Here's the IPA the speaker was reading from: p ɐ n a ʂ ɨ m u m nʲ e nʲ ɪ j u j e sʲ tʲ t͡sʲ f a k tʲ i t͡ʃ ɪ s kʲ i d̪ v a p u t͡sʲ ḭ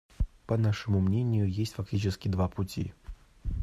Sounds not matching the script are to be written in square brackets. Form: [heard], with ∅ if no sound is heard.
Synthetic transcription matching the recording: p ɐ n a ʂ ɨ m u m nʲ e nʲ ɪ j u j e sʲ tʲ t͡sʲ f a k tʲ i t͡ʃ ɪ s kʲ i d̪ v a p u t͡sʲ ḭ

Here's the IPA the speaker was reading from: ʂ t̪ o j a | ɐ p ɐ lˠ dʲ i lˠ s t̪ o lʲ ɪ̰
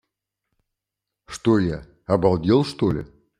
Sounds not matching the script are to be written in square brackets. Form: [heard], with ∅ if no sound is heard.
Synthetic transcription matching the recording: ʂ t̪ o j a | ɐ [b] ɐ lˠ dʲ [e] lˠ [ʂ] t̪ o lʲ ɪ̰

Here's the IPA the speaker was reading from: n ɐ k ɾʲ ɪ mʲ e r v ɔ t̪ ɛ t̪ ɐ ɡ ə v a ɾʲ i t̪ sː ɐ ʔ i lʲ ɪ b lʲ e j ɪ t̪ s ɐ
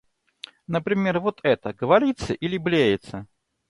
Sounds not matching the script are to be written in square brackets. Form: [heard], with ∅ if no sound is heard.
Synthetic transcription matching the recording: n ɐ [p] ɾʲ ɪ mʲ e r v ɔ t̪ ɛ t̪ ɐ ɡ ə v a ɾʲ i t̪ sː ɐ ʔ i lʲ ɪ b lʲ e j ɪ t̪ s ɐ

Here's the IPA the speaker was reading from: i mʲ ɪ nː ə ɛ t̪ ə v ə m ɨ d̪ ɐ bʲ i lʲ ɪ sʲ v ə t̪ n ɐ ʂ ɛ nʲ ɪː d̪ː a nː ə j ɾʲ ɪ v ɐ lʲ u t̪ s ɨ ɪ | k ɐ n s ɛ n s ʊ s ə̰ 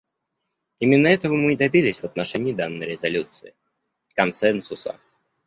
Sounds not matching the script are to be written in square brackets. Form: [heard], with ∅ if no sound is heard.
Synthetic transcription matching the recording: i mʲ ɪ nː ə ɛ t̪ ə v ə m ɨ d̪ ɐ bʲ i lʲ ɪ sʲ v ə t̪ n ɐ ʂ ɛ nʲ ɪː [d̪] a nː ə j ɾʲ ɪ [z] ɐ lʲ u t̪ s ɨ ɪ | k ɐ n s ɛ n s ʊ s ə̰

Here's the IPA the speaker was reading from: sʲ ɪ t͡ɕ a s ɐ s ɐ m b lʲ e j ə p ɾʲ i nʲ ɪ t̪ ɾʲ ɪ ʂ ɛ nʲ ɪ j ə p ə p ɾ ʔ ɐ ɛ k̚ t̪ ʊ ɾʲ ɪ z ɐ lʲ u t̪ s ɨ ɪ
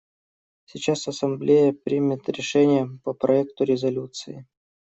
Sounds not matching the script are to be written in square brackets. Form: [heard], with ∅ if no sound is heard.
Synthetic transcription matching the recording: sʲ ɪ t͡ɕ a s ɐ s ɐ m b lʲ e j ə p ɾʲ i [mʲ] ɪ t̪ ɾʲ ɪ ʂ ɛ nʲ ɪ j ə p ə p ɾ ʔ ɐ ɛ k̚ t̪ ʊ ɾʲ ɪ z ɐ lʲ u t̪ s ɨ ɪ

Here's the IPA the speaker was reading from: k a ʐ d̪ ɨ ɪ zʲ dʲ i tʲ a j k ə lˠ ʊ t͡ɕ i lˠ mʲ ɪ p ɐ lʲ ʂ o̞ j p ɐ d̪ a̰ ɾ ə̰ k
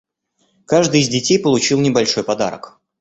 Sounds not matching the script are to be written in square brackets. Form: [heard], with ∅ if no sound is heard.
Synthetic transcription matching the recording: k a ʐ d̪ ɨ ɪ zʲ dʲ [ɪ] tʲ [e] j [p] ə lˠ ʊ t͡ɕ i lˠ [nʲ] ɪ [b] ɐ lʲ ʂ o̞ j p ɐ d̪ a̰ ɾ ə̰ k

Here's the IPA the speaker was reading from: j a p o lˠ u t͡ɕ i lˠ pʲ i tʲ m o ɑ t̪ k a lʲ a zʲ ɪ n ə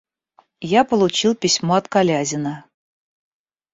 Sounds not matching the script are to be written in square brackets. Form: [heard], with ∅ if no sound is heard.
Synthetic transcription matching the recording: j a p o lˠ u t͡ɕ i lˠ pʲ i [sʲ] m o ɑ t̪ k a lʲ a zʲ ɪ n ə

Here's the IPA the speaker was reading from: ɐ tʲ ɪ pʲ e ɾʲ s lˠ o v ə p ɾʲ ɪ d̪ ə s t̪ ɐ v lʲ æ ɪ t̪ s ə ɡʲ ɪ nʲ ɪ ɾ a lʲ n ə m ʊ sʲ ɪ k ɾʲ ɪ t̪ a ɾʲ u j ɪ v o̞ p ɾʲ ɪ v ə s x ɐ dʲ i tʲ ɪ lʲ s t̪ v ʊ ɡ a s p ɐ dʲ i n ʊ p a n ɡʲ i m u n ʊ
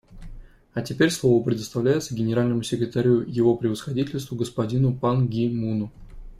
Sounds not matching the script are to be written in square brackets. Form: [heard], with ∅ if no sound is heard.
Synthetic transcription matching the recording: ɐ tʲ ɪ pʲ e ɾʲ s lˠ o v ə p ɾʲ ɪ d̪ ə s t̪ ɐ v lʲ æ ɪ t̪ s ə ɡʲ ɪ nʲ ɪ ɾ a lʲ n ə m ʊ sʲ ɪ k ɾʲ ɪ t̪ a ɾʲ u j ɪ v o̞ p ɾʲ ɪ v ə s x ɐ dʲ i tʲ ɪ lʲ s t̪ v ʊ ɡ [ə] s p ɐ dʲ i n ʊ p a n ɡʲ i m u n ʊ

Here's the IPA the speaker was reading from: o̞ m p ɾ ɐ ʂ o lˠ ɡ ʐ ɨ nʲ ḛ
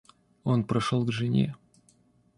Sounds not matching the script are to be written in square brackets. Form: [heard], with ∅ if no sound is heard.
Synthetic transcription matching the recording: o̞ [n] p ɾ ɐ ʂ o lˠ ɡ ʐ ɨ nʲ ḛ

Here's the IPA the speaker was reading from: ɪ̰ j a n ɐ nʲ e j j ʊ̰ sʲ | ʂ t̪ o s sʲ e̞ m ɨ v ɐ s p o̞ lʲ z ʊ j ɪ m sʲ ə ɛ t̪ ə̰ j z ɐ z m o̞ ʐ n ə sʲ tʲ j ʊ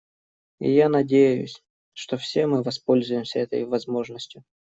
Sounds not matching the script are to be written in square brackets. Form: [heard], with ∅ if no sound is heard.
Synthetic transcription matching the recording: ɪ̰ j a n ɐ [dʲ] e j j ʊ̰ sʲ | ʂ t̪ o [f] sʲ e̞ m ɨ v ɐ s p o̞ lʲ z ʊ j ɪ m sʲ ə ɛ t̪ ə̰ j [v] ɐ z m o̞ ʐ n ə sʲ tʲ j ʊ

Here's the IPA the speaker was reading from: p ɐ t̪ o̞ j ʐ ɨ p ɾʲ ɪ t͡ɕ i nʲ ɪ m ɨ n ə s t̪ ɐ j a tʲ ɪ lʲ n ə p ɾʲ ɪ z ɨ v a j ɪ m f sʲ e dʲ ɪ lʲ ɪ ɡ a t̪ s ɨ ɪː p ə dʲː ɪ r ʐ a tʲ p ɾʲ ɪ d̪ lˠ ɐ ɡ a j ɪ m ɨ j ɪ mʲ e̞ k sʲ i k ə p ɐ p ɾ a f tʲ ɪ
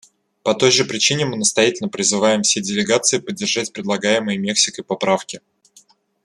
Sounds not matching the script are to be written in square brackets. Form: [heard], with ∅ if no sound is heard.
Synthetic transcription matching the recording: p ɐ t̪ o̞ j ʐ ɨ p ɾʲ ɪ t͡ɕ i nʲ ɪ m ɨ n ə s t̪ ɐ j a tʲ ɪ lʲ n ə p ɾʲ ɪ z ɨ v a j ɪ m f sʲ e dʲ ɪ lʲ ɪ ɡ a t̪ s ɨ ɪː p ə dʲː ɪ r ʐ a tʲ p ɾʲ ɪ d̪ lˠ ɐ ɡ a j ɪ m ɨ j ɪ mʲ e̞ k sʲ [ɪ] k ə p ɐ p ɾ a f [kʲ] ɪ

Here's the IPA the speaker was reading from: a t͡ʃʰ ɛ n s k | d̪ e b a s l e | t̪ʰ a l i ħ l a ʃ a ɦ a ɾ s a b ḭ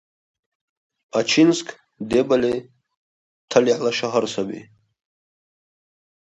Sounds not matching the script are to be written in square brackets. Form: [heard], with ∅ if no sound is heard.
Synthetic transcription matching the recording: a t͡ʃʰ [i] n s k | d̪ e b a [∅] l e | t̪ʰ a l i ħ l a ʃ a ɦ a ɾ s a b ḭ

